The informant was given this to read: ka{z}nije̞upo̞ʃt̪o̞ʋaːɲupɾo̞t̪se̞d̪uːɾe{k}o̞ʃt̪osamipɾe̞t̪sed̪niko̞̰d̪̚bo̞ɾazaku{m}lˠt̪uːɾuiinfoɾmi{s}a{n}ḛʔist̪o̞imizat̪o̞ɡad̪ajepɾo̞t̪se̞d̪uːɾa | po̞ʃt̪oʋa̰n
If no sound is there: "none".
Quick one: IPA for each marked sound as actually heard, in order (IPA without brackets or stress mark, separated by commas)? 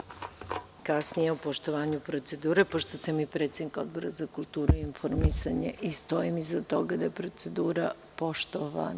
s, p, none, s, ɲ